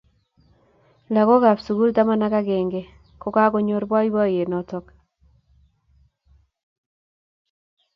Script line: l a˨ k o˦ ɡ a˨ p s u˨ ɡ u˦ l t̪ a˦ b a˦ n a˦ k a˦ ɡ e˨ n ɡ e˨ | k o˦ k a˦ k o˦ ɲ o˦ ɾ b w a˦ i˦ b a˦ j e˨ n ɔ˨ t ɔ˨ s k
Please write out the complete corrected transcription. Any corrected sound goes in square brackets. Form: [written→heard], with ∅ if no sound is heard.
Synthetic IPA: l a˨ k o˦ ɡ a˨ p s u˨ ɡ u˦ l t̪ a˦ [b→m] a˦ n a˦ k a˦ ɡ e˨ [n→ŋ] ɡ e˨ | k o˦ k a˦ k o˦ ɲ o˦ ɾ b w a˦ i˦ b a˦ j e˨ n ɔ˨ t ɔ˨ [s→∅] k